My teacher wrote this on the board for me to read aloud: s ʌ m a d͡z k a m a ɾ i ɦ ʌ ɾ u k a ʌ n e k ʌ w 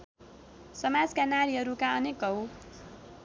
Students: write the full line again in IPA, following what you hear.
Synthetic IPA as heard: s ʌ m a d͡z k a n a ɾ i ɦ ʌ ɾ u k a ʌ n e k ʌ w